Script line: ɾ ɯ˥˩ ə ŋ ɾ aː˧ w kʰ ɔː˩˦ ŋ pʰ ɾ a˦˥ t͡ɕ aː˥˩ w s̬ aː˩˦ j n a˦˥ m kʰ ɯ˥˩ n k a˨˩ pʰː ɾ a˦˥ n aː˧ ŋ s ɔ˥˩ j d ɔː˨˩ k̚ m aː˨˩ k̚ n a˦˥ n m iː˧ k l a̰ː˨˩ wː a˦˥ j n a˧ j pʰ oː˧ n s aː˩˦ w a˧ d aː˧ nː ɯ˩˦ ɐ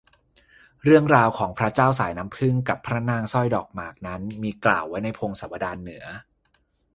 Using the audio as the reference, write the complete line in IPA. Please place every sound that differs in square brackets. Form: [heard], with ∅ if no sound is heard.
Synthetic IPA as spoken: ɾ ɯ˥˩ ə ŋ ɾ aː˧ w kʰ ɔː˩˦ ŋ pʰ ɾ a˦˥ t͡ɕ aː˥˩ w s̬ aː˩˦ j n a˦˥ m [pʰ] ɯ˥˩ [ŋ] k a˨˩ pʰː ɾ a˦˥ n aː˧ ŋ s ɔ˥˩ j d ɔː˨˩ k̚ m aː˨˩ k̚ n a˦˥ n m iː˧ k l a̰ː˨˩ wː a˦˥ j n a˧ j pʰ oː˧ [ŋ] s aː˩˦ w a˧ d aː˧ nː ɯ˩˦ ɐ

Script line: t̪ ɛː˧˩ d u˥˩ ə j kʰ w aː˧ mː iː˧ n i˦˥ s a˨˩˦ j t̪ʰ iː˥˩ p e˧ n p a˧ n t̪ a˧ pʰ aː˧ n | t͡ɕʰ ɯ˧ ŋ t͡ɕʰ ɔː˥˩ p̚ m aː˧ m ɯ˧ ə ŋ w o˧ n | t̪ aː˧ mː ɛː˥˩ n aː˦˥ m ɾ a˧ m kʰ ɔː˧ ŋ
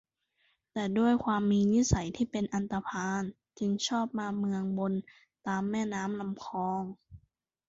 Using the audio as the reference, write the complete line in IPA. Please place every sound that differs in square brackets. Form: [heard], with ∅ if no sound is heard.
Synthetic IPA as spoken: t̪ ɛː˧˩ d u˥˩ ə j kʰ w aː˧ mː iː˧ n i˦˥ s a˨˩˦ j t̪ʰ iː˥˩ p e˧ n [ʔ] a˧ n t̪ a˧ pʰ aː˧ n | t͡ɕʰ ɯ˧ ŋ t͡ɕʰ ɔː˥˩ p̚ m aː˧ m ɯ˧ ə ŋ [b] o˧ n | t̪ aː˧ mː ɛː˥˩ n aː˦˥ m [l] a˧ m kʰ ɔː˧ ŋ

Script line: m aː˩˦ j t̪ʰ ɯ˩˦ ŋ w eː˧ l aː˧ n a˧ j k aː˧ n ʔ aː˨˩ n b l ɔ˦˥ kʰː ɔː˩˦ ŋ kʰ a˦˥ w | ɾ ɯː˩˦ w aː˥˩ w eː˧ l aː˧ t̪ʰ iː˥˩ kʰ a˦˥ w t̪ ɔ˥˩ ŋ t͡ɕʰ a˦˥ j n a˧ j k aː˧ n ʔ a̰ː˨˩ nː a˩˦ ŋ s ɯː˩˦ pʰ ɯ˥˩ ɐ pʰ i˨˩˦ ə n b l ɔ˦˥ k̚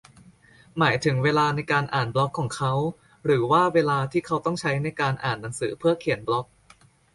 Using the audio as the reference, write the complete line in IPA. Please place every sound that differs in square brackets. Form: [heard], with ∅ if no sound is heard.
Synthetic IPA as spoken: m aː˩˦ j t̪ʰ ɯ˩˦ ŋ w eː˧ l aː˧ n a˧ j k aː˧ n ʔ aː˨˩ n b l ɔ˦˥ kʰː ɔː˩˦ ŋ kʰ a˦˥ w | ɾ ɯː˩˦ w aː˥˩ w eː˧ l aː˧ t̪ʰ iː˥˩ kʰ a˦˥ w t̪ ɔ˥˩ ŋ t͡ɕʰ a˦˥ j n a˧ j k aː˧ n ʔ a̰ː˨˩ nː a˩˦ ŋ s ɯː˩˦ pʰ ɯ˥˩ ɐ [kʰ] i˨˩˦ ə n b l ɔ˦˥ k̚

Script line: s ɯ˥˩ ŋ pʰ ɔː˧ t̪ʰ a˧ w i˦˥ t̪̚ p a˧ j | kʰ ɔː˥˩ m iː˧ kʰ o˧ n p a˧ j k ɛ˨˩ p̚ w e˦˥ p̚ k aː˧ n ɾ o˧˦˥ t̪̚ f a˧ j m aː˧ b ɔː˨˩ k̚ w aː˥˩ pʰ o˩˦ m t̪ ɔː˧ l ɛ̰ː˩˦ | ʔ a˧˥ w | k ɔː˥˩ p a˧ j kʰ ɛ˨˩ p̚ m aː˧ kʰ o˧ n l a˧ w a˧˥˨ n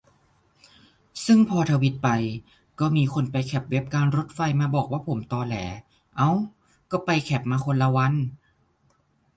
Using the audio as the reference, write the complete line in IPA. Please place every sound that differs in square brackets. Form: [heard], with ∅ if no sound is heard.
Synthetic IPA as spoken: s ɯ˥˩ ŋ pʰ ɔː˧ t̪ʰ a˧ w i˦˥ t̪̚ p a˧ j | [k] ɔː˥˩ m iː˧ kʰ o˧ n p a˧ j [kʰ] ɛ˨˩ p̚ w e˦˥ p̚ k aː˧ n ɾ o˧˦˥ t̪̚ f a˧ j m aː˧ b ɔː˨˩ k̚ w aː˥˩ pʰ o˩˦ m t̪ ɔː˧ l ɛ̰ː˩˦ | ʔ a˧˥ w | k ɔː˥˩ p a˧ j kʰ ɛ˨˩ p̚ m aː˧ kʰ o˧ n l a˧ w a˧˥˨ n

